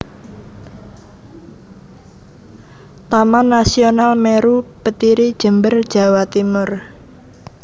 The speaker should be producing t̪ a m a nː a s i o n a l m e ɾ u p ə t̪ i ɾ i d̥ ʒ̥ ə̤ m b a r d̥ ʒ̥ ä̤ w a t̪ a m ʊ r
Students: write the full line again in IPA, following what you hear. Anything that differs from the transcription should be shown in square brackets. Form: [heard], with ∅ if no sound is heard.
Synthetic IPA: t̪ a m a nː a s i o n a l m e ɾ u p ə t̪ i ɾ i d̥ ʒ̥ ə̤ m b [ə] r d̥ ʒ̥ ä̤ w a t̪ [i] m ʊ r